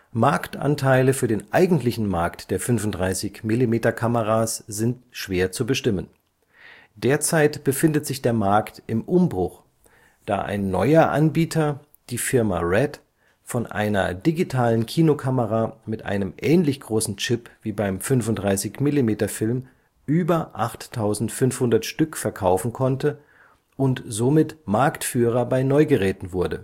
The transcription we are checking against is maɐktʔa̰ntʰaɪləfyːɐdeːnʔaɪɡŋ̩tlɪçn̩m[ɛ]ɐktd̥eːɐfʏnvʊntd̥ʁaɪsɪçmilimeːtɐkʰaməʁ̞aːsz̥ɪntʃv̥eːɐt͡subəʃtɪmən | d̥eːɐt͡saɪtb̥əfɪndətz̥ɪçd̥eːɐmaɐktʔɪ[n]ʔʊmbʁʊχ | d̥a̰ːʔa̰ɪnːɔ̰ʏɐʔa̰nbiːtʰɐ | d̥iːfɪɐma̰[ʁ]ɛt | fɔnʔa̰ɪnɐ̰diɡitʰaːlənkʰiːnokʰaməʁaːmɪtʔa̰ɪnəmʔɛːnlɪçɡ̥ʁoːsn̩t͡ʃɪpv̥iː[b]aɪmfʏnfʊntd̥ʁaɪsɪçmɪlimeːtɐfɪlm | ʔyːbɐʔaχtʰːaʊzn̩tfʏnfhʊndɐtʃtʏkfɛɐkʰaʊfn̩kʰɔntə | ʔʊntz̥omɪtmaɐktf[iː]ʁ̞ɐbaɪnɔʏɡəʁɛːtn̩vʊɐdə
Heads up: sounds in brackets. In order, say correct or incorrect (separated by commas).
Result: incorrect, incorrect, correct, correct, incorrect